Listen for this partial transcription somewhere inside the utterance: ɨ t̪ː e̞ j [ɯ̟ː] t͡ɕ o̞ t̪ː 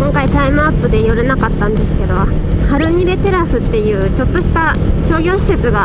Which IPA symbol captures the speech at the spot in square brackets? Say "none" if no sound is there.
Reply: ɯ̟ː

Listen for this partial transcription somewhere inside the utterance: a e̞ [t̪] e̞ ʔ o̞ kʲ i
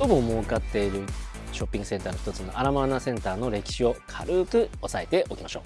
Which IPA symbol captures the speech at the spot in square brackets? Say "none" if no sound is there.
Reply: t̪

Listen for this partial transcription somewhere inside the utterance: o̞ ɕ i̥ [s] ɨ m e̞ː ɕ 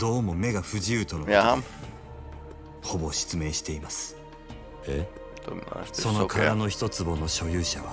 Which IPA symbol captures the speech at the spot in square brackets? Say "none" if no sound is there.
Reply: t͡s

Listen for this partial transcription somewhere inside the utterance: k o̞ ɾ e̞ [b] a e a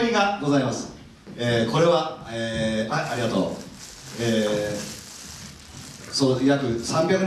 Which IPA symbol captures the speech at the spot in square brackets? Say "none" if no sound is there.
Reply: β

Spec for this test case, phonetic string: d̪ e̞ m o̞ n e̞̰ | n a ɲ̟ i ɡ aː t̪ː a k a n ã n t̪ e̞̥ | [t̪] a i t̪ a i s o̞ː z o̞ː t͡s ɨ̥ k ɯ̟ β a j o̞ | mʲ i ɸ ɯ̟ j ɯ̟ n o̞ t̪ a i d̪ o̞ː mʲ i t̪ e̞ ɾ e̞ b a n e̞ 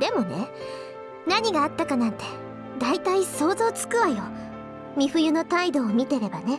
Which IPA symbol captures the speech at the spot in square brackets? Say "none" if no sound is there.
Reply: d̪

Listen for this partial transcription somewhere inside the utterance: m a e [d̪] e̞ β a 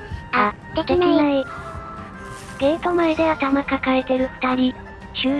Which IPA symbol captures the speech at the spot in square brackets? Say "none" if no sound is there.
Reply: d̪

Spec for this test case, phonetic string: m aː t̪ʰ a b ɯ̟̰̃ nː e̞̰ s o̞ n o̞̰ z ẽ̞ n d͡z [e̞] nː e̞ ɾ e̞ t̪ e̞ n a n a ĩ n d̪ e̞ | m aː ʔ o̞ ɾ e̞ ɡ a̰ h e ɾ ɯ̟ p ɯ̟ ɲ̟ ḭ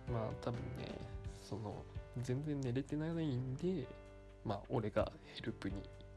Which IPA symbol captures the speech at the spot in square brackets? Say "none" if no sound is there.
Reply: ẽ̞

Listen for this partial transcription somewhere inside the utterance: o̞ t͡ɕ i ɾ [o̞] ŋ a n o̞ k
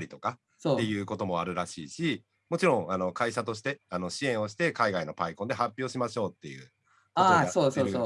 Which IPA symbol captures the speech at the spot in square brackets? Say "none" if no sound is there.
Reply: õ̞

